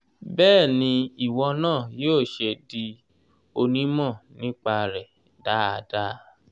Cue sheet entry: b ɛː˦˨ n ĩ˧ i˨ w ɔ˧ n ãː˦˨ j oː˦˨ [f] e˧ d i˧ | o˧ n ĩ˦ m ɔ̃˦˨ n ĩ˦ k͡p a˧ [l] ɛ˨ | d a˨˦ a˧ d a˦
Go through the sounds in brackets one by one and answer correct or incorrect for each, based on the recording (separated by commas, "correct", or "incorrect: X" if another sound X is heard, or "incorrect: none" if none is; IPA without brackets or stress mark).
incorrect: ʃ, incorrect: ɾ